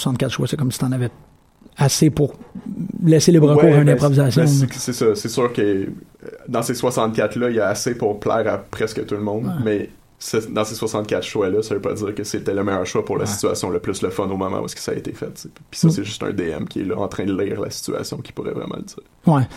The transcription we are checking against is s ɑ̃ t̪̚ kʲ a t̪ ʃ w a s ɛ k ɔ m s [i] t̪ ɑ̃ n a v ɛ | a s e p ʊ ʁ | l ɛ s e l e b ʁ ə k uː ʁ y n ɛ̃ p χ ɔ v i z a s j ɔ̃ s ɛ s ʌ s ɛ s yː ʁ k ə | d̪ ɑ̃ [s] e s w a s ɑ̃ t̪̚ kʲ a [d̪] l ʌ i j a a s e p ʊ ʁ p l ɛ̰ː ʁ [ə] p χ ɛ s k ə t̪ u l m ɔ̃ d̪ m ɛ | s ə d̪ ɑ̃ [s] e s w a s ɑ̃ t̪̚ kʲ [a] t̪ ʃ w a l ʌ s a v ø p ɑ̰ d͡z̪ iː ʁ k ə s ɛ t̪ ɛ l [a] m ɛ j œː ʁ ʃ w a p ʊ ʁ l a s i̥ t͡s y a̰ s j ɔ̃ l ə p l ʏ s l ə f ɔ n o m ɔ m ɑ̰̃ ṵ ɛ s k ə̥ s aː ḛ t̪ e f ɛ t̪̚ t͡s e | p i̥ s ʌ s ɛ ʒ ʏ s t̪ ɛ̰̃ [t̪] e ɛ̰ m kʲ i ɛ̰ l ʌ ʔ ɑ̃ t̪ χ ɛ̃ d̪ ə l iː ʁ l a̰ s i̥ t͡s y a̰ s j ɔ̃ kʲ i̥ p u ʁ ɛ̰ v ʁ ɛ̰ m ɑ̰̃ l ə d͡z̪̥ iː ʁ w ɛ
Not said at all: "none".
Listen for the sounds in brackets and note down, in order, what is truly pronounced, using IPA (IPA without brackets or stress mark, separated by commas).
i, s, t̪, a, s, a, ə, d̪